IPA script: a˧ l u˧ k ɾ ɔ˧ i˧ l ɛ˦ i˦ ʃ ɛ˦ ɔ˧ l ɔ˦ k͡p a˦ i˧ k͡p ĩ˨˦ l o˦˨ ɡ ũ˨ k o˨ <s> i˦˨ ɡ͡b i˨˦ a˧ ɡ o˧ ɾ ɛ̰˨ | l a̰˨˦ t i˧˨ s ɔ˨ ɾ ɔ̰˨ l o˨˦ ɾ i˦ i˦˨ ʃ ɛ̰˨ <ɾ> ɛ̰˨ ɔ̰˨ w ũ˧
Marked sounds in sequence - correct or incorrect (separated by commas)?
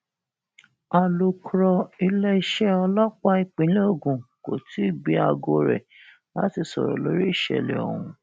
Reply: incorrect, incorrect